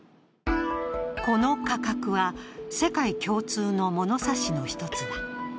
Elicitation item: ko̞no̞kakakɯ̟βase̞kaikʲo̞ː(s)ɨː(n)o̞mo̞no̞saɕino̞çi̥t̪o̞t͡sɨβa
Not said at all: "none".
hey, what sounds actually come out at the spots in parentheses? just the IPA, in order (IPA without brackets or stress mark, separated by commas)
t͡s, n